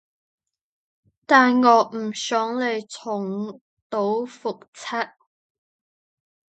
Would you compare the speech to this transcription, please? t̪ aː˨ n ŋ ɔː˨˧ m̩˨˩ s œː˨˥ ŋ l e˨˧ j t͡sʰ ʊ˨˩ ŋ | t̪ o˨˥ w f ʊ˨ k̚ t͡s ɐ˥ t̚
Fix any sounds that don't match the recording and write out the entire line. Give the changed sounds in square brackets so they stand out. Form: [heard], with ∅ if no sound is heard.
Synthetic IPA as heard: t̪ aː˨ n ŋ ɔː˨˧ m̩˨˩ s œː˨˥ ŋ l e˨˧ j t͡sʰ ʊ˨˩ ŋ | t̪ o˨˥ w f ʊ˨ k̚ [t͡sʰ] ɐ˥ t̚